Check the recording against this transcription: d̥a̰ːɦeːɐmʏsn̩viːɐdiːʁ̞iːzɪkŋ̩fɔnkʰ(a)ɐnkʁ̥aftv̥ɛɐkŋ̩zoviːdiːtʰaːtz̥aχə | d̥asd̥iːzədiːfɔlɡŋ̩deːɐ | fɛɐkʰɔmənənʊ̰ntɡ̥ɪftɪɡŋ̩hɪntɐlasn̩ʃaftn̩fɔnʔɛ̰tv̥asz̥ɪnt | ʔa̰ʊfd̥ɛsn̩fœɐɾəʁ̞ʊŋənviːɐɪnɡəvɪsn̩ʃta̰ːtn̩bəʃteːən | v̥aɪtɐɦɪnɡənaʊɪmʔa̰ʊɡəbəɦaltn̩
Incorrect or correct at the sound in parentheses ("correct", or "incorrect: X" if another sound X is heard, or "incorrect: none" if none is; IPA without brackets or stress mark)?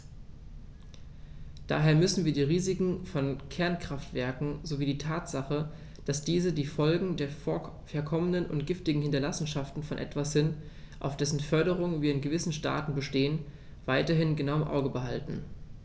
incorrect: ɛ